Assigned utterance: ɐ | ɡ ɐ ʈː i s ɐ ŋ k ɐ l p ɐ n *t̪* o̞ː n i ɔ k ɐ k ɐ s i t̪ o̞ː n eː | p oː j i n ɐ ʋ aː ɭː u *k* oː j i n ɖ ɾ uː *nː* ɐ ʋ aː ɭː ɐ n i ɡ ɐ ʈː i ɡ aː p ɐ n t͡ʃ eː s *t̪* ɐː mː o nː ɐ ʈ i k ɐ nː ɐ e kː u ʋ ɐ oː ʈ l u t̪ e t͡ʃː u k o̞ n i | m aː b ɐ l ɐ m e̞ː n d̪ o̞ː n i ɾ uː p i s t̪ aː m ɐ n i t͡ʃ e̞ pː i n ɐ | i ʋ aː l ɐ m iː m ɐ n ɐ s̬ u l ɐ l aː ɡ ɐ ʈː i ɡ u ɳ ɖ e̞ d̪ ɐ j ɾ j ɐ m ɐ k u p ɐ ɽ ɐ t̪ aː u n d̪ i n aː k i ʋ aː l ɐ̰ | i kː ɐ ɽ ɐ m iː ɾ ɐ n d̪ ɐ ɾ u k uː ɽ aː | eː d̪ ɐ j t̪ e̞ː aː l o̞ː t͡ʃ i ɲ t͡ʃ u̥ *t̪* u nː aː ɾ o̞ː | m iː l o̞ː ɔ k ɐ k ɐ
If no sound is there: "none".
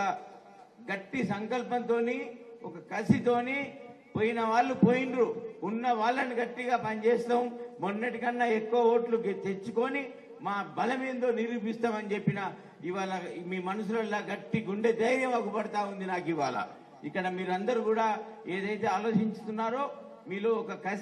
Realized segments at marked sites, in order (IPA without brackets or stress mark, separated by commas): t̪, p, nː, t̪, t̪